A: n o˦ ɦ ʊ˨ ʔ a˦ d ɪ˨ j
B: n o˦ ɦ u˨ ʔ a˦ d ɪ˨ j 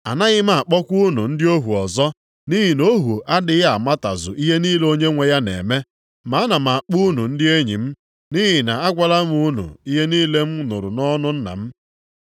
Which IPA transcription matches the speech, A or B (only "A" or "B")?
B